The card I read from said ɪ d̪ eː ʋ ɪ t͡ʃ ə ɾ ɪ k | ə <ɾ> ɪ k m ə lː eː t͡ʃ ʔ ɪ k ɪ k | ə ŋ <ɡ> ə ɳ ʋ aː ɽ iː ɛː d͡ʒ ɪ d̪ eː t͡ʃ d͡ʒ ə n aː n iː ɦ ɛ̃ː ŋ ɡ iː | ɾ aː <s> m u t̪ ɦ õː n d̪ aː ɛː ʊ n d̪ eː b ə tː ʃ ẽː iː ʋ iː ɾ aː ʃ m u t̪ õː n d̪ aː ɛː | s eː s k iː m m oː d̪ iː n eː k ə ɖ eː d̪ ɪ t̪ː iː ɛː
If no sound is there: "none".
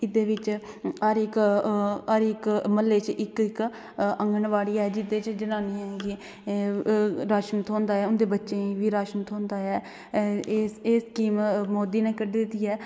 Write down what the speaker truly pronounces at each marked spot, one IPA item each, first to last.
ɾ, ɡ, ʃ

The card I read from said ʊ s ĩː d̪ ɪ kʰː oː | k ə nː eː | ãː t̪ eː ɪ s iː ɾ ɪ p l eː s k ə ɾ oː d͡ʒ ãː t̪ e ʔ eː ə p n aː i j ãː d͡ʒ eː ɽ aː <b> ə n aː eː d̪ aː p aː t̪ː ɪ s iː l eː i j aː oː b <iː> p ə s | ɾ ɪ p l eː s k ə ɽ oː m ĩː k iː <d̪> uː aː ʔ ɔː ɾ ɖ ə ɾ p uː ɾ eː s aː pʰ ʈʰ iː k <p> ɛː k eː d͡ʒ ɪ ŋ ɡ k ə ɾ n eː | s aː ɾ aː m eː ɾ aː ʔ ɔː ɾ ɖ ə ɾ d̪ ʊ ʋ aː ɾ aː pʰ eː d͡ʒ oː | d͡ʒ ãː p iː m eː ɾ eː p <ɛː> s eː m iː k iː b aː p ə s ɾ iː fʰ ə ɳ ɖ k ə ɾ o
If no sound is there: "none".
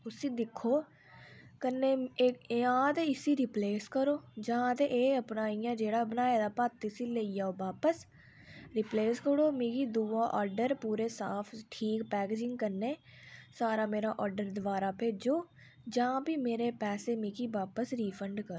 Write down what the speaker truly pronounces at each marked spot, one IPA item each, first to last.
b, aː, d̪, p, ɛː

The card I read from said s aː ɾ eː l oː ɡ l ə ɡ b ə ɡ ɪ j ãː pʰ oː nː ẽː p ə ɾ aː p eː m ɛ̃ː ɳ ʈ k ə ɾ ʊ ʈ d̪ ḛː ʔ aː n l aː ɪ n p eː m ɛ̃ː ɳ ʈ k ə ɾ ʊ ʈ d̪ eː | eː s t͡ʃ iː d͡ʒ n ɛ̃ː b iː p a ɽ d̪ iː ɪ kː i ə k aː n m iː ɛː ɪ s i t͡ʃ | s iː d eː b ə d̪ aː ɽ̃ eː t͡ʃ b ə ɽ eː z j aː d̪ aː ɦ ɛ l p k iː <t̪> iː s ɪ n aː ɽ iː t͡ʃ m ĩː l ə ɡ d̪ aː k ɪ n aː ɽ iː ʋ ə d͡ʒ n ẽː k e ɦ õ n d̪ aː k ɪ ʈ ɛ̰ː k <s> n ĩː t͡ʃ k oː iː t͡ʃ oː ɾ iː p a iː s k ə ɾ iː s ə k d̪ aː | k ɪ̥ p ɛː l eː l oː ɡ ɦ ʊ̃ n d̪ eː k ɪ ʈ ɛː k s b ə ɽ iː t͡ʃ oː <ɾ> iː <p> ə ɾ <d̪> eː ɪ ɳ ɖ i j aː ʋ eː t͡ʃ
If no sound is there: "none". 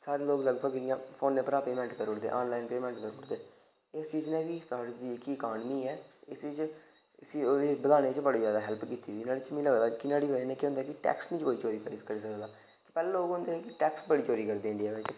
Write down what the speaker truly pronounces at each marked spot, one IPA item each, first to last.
t̪, s, ɾ, k, d̪

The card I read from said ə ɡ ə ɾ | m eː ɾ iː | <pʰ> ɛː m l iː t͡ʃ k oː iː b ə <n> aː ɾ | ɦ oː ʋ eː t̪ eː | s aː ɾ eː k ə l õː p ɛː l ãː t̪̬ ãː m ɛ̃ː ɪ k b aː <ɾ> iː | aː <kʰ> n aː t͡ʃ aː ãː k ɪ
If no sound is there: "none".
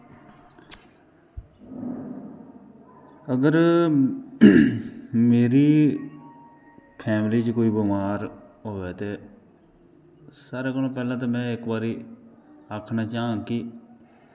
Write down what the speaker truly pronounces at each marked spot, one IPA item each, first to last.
pʰ, m, ɾ, kʰ

